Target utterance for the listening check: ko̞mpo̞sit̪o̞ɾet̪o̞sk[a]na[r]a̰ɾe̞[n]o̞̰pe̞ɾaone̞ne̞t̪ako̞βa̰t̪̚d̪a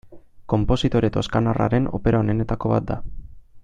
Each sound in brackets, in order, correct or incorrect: correct, correct, correct

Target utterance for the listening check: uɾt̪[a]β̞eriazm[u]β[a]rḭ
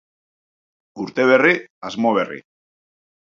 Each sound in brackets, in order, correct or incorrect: incorrect, incorrect, incorrect

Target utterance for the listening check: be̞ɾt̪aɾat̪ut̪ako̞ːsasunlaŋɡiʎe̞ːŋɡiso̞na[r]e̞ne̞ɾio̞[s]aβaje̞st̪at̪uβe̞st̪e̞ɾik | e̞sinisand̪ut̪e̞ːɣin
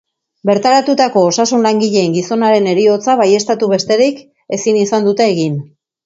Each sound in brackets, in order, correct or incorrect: incorrect, incorrect

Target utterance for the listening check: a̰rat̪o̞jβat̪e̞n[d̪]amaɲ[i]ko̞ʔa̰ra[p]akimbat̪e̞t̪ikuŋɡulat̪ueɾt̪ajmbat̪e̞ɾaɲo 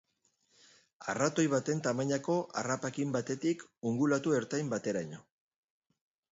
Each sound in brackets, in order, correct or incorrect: incorrect, incorrect, correct

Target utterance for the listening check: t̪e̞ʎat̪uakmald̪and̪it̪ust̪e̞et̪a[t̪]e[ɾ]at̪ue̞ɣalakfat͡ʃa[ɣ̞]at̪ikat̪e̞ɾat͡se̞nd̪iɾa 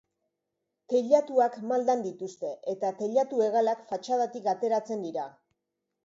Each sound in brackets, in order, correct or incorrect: correct, incorrect, incorrect

